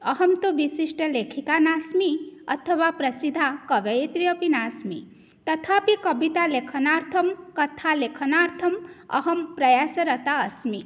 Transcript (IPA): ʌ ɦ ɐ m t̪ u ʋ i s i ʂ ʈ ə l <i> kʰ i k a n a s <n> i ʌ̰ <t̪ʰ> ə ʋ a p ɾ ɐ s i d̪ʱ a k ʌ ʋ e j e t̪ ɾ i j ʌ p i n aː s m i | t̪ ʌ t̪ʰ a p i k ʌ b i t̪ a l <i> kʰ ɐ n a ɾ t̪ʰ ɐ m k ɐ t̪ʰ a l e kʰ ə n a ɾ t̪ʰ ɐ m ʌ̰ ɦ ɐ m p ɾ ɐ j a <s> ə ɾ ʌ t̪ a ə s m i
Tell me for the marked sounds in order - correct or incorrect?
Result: incorrect, incorrect, correct, incorrect, correct

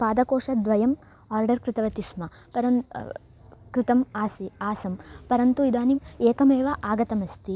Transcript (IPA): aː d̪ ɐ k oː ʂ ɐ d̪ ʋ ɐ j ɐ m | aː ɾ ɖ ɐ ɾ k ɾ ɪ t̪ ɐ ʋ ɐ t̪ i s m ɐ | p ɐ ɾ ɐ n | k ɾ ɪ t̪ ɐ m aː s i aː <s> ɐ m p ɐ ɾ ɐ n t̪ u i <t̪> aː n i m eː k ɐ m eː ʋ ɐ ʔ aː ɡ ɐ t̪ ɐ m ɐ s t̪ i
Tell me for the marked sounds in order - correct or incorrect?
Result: correct, incorrect

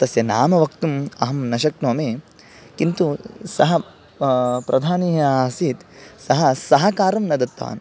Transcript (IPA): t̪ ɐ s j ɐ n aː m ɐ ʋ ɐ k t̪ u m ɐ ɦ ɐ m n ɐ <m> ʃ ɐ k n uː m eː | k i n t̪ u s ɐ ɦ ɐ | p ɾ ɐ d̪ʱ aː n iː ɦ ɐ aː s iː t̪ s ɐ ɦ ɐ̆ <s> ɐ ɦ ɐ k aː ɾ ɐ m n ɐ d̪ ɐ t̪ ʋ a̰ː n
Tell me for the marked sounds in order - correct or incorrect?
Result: incorrect, correct

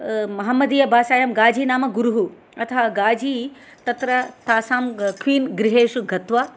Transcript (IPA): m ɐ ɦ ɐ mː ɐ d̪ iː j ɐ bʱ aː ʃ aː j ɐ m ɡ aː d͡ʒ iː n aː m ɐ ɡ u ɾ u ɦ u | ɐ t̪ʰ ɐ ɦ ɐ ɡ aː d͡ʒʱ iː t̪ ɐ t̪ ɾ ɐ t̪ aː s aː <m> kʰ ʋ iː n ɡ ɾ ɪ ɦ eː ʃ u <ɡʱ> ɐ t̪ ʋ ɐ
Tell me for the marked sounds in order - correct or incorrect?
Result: correct, correct

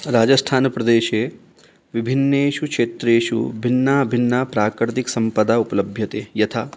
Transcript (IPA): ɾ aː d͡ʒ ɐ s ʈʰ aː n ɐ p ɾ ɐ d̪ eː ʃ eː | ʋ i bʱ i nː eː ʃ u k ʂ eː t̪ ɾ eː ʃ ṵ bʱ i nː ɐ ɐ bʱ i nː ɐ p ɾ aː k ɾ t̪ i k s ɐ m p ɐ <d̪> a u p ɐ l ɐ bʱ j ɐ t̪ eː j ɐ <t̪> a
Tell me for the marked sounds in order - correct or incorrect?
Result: correct, incorrect

